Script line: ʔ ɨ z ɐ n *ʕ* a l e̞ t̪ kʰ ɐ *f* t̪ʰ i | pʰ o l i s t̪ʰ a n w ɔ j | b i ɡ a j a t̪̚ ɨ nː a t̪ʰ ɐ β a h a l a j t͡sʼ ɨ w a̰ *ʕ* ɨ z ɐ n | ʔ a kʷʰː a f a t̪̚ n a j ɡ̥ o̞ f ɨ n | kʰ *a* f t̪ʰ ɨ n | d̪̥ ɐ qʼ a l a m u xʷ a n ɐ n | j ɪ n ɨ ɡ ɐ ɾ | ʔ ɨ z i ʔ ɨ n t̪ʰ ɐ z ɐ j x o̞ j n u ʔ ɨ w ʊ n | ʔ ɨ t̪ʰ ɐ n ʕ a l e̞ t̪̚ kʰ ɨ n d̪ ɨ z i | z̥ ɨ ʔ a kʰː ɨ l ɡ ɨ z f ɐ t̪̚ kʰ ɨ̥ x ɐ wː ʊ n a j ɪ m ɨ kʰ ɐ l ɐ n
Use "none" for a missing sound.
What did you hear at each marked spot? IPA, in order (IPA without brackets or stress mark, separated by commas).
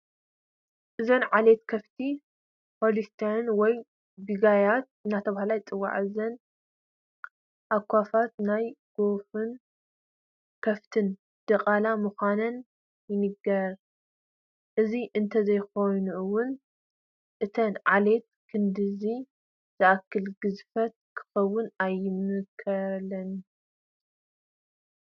ʕ, f, ʕ, ɐ